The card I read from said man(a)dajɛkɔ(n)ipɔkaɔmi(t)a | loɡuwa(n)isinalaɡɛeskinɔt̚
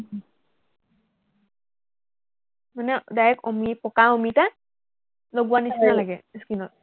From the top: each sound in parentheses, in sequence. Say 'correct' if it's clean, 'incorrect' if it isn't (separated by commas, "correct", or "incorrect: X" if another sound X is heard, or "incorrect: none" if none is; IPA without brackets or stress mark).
incorrect: ɛ, incorrect: m, correct, correct